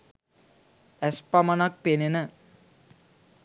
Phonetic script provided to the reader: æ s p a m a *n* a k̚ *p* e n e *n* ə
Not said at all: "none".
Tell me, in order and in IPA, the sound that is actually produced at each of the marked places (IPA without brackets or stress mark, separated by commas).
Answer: n, p, n